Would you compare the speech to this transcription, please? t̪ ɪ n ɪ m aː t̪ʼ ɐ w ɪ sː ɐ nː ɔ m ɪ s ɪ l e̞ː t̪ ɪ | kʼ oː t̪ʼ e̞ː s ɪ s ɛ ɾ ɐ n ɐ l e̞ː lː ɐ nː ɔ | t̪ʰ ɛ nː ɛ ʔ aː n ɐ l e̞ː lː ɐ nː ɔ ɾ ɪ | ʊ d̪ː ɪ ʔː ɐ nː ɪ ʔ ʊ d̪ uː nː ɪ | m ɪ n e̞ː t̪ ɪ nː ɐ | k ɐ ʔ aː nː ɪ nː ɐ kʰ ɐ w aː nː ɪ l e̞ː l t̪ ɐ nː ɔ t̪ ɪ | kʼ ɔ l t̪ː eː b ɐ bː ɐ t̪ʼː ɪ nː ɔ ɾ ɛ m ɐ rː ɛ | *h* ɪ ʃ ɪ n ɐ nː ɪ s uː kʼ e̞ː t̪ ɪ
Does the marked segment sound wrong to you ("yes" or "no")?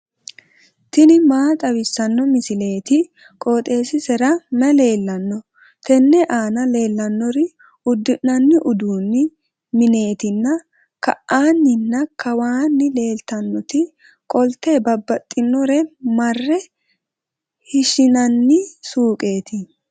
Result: no